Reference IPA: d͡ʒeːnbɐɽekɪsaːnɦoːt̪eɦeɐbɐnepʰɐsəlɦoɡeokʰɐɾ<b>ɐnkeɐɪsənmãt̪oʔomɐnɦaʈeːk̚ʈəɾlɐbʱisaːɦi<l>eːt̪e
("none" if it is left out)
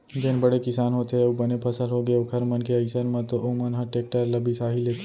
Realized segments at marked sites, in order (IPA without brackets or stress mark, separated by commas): m, l